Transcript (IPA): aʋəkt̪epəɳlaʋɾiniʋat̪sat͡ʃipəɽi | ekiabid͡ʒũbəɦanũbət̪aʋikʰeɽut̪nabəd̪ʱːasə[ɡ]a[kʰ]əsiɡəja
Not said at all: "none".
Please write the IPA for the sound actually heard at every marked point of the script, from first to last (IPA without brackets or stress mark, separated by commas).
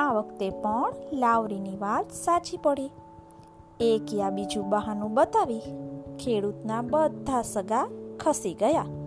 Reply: ɡ, kʰ